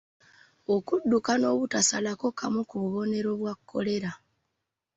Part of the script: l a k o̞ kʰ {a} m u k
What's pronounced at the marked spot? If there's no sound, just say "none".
a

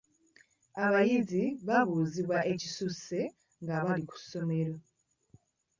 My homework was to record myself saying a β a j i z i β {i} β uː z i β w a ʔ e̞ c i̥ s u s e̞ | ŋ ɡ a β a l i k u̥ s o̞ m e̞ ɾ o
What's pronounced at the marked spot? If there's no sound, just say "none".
a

